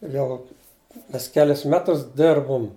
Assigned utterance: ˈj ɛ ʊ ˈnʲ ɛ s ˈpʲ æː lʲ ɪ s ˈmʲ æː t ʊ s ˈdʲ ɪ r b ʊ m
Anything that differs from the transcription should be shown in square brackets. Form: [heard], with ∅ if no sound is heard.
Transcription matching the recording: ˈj ɛ ʊ [ˈmʲ] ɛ s [ˈkʲ] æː lʲ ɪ s ˈmʲ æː t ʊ s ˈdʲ ɪ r b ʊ m

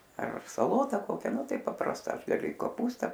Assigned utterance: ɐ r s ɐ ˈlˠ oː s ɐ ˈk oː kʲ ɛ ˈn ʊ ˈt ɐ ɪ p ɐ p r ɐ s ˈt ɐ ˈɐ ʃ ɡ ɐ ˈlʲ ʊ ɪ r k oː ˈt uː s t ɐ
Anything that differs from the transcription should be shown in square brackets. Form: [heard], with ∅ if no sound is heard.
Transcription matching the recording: ɐ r s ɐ ˈlˠ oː [t] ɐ ˈk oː kʲ ɛ ˈn ʊ ˈt ɐ ɪ p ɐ p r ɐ s ˈt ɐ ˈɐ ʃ ɡ ɐ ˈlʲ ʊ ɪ [∅] k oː [ˈp] uː s t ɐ

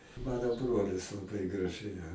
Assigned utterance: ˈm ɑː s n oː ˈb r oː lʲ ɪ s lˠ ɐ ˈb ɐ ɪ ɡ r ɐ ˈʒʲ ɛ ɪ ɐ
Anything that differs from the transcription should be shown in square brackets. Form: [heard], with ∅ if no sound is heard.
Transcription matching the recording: ˈm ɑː [∅] n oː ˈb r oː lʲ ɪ s lˠ ɐ ˈb ɐ ɪ ɡ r ɐ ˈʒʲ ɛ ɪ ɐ

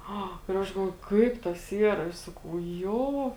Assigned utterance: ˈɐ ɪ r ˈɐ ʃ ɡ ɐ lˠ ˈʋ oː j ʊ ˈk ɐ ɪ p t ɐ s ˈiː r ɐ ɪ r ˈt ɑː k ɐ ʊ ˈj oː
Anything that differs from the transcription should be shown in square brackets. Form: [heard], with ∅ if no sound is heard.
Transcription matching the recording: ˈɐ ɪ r ˈɐ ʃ ɡ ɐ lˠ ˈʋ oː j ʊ ˈk ɐ ɪ p t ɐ s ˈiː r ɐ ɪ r [ˈs] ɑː k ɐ ʊ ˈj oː

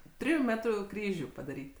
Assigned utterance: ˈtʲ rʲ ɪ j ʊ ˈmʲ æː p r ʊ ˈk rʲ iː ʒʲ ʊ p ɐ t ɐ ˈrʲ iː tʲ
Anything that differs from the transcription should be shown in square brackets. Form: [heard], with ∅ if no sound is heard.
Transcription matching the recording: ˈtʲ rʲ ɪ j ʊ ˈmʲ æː [t] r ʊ ˈk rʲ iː ʒʲ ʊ p ɐ [d] ɐ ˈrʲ iː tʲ

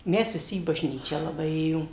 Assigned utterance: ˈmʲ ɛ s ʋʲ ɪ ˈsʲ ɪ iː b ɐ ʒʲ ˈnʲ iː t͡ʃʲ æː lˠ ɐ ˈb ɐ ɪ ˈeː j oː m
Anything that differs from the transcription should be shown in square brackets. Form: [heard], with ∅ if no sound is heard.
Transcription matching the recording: ˈmʲ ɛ s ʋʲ ɪ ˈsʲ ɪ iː b ɐ ʒʲ ˈnʲ iː t͡ʃʲ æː lˠ ɐ ˈb ɐ ɪ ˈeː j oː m

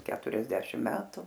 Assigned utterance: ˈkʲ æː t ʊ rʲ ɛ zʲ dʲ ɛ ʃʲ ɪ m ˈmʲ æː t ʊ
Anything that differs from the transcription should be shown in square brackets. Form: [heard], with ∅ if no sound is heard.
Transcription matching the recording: ˈkʲ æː t ʊ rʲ ɛ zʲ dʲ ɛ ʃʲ ɪ m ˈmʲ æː t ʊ

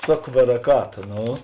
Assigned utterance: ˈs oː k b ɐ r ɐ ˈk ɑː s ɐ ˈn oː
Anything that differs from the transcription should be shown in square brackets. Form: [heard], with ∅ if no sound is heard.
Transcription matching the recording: ˈs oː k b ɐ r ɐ ˈk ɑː [t] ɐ ˈn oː

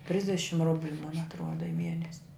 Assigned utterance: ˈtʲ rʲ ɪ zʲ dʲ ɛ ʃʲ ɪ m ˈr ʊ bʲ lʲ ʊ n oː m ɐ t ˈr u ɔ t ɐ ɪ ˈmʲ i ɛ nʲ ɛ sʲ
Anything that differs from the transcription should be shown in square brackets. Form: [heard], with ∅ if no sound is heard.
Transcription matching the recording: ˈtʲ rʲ ɪ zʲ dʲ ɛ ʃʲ ɪ m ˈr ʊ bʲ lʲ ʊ [m] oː [n] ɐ t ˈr u ɔ [d] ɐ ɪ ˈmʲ i ɛ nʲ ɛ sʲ

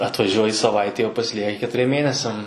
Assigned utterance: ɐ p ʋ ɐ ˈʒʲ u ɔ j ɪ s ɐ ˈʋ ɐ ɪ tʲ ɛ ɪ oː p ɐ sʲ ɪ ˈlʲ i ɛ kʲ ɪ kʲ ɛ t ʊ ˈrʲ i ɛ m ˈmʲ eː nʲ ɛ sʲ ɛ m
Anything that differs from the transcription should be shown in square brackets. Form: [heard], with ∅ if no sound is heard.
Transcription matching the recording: ɐ [t] ʋ ɐ ˈʒʲ u ɔ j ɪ s ɐ ˈʋ ɐ ɪ tʲ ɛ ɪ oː p ɐ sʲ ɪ ˈlʲ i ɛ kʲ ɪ kʲ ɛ t ʊ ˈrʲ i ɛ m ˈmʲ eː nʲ ɛ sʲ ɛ m

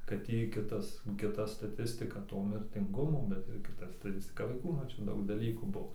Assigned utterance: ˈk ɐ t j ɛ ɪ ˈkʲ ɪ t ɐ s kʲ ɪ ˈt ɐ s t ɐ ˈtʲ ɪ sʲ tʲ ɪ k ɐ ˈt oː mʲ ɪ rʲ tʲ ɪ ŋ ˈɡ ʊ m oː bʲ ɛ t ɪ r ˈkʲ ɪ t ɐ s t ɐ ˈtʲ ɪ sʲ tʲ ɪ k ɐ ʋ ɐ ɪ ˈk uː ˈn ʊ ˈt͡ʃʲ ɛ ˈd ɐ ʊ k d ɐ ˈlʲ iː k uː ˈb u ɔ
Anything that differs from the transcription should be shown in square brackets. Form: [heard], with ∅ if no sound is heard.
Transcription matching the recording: ˈk ɐ t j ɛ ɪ ˈkʲ ɪ t ɐ s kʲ ɪ ˈt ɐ s t ɐ ˈtʲ ɪ sʲ tʲ ɪ k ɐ ˈt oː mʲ ɪ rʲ tʲ ɪ ŋ ˈɡ ʊ m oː bʲ ɛ t ɪ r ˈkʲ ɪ t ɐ s t ɐ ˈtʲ ɪ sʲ tʲ ɪ k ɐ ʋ ɐ ɪ ˈk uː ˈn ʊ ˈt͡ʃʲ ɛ ˈd ɐ ʊ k d ɐ ˈlʲ iː k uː ˈb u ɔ

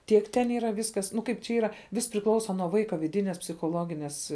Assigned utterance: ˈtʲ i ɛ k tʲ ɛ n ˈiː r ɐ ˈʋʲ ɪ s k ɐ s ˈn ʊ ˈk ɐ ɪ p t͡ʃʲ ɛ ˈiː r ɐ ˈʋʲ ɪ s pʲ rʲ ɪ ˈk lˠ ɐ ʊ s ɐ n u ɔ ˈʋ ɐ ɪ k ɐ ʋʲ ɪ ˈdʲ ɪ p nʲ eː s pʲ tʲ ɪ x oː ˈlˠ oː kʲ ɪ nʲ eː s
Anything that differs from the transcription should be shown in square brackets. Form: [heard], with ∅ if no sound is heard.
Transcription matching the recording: ˈtʲ i ɛ k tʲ ɛ n ˈiː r ɐ ˈʋʲ ɪ s k ɐ s ˈn ʊ ˈk ɐ ɪ p t͡ʃʲ ɛ ˈiː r ɐ ˈʋʲ ɪ s pʲ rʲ ɪ ˈk lˠ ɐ ʊ s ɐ n u ɔ ˈʋ ɐ ɪ k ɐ ʋʲ ɪ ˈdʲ ɪ [∅] nʲ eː s pʲ [sʲ] ɪ x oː ˈlˠ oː [ɡʲ] ɪ nʲ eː s

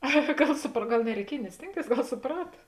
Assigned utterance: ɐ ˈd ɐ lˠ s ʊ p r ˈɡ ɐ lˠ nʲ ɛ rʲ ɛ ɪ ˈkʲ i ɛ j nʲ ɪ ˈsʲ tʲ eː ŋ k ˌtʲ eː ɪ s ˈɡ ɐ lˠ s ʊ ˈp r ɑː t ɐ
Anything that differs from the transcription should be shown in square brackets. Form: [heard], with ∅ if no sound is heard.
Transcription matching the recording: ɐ [ˈɡ] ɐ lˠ s ʊ p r ˈɡ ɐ lˠ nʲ ɛ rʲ ɛ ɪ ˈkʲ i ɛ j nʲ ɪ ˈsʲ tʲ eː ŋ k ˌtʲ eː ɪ s ˈɡ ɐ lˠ s ʊ ˈp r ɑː t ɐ

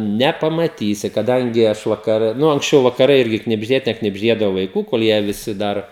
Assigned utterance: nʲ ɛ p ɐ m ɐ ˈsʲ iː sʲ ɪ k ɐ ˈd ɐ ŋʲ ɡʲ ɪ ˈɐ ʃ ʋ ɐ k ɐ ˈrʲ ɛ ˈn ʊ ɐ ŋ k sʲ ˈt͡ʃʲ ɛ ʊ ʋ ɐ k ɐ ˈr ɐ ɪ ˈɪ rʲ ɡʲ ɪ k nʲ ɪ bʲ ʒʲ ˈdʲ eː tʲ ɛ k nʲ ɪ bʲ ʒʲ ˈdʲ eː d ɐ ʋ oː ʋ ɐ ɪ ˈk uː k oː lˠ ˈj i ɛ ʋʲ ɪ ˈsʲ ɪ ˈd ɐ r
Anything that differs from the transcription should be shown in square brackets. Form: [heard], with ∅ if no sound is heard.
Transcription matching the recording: nʲ ɛ p ɐ m ɐ [ˈtʲ] iː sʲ ɪ k ɐ ˈd ɐ ŋʲ ɡʲ ɪ ˈɐ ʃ ʋ ɐ k ɐ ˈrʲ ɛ ˈn ʊ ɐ ŋ k sʲ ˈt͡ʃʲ ɛ ʊ ʋ ɐ k ɐ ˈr ɐ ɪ ˈɪ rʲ ɡʲ ɪ k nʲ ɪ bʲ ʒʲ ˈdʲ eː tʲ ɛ k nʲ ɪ bʲ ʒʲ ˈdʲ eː d ɐ ʋ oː ʋ ɐ ɪ ˈk uː k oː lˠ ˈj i ɛ ʋʲ ɪ ˈsʲ ɪ ˈd ɐ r

